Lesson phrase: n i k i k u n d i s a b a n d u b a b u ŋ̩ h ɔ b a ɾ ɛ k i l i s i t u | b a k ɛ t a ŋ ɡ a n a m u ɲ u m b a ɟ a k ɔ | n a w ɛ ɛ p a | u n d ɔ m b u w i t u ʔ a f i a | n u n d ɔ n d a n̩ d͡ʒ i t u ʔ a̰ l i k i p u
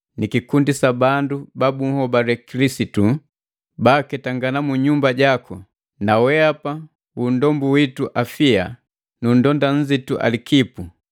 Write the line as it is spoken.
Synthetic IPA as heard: n i k i k u n d i s a b a n d u b a b u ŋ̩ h ɔ b a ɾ ɛ k i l i s i t u | b a k ɛ t a ŋ ɡ a n a m u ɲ u m b a ɟ a k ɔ | n a w ɛ a p a | u n d ɔ m b u w i t u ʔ a f i a | n u n d ɔ n d a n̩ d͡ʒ i t u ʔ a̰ l i k i p u